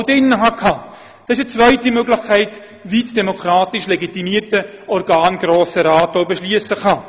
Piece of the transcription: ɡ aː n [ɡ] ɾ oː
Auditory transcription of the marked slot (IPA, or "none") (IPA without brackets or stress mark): ɡ